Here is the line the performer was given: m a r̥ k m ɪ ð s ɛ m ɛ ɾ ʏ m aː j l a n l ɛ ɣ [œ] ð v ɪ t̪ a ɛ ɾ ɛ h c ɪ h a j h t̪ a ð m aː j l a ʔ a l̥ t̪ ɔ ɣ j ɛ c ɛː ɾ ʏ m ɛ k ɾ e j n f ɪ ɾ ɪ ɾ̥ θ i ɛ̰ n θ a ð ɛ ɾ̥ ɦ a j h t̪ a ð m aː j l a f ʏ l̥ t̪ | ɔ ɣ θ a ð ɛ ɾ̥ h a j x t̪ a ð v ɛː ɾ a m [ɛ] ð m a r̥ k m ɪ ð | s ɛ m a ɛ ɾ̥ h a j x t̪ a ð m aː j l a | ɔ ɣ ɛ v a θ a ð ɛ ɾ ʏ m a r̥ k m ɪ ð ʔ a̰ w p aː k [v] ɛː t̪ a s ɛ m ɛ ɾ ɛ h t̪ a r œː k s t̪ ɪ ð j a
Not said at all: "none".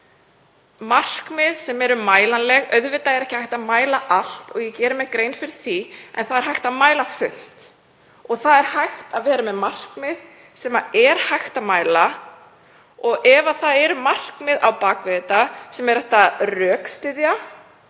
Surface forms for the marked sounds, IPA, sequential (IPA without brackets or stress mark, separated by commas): œ, ɛ, v